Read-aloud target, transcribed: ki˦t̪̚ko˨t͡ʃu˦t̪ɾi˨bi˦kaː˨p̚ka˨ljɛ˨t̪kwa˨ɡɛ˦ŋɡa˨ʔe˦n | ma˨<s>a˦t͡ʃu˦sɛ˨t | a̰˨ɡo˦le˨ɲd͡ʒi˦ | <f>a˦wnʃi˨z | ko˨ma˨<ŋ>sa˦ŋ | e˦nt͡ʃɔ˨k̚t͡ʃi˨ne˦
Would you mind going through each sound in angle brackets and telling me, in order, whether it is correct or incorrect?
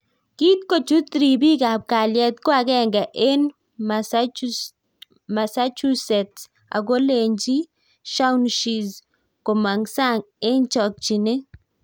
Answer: correct, incorrect: ʃ, correct

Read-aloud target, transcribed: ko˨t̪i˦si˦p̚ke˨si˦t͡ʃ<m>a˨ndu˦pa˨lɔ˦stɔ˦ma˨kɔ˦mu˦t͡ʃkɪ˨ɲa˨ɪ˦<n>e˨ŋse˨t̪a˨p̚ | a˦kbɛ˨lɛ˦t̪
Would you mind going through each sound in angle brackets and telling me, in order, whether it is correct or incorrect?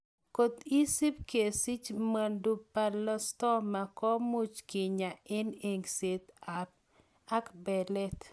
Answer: correct, correct

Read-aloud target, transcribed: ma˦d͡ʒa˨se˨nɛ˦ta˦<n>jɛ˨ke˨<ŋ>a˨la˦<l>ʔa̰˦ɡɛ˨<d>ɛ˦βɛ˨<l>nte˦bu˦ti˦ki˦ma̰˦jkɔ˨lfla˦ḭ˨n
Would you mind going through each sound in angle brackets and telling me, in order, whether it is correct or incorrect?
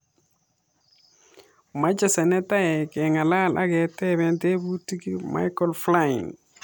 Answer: incorrect: none, correct, correct, incorrect: t, incorrect: none

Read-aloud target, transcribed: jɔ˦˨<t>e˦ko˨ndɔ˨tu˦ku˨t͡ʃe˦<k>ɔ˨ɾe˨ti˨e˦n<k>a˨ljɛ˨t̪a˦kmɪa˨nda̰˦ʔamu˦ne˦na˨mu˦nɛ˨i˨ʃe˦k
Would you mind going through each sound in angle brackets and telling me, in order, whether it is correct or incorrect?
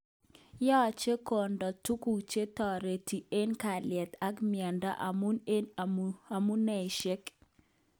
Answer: incorrect: t͡ʃ, incorrect: t, correct

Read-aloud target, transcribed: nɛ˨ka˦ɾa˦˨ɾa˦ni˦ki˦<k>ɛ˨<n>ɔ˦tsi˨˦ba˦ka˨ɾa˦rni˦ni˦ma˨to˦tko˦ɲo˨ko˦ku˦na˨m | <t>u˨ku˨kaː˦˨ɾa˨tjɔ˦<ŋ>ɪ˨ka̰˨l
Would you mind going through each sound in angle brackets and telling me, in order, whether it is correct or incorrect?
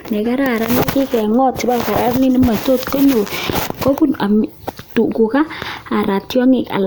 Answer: correct, incorrect: ŋ, correct, correct

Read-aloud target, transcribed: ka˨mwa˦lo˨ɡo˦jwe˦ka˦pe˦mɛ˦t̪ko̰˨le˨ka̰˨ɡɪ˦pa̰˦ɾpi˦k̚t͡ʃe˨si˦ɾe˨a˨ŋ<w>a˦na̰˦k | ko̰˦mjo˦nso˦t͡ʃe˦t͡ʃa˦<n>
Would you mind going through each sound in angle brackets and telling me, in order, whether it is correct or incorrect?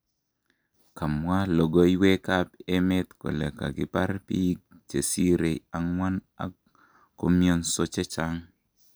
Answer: correct, incorrect: ŋ

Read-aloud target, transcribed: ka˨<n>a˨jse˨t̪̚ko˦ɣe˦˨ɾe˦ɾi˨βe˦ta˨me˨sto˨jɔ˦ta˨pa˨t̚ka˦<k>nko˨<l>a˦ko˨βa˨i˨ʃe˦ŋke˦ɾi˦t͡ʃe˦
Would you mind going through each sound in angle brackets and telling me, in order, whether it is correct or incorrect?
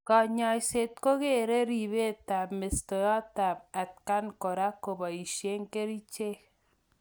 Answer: incorrect: ɲ, incorrect: none, incorrect: ɾ

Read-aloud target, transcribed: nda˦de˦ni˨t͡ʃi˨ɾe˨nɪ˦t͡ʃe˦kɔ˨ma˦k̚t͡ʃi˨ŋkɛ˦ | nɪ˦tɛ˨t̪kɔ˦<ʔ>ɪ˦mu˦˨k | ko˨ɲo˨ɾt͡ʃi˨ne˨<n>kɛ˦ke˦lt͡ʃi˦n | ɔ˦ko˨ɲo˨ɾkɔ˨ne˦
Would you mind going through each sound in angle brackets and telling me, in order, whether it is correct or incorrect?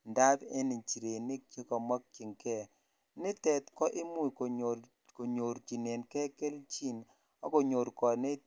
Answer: correct, correct

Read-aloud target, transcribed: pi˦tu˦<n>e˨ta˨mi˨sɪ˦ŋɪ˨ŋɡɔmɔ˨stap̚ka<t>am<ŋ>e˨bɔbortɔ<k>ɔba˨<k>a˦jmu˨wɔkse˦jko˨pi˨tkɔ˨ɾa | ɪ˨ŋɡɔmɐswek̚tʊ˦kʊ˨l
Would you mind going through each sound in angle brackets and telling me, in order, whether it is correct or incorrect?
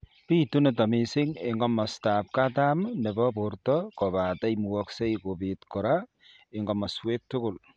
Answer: correct, correct, incorrect: n, correct, incorrect: t

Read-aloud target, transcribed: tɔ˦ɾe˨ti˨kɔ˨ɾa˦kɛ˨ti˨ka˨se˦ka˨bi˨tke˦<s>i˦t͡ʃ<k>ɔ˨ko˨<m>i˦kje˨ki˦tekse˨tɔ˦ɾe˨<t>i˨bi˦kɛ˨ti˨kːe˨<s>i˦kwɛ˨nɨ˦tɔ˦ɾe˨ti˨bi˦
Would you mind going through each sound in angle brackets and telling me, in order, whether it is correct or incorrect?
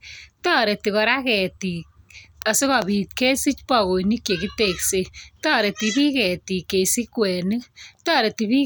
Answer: correct, incorrect: p, incorrect: n, correct, correct

